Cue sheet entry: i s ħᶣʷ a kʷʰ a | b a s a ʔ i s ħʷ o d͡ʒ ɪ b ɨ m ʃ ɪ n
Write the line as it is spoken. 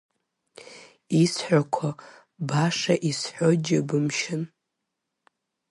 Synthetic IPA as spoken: i s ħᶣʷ a kʷʰ a | b a ʂ a ʔ i s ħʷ o d͡ʒ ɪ b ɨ m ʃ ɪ n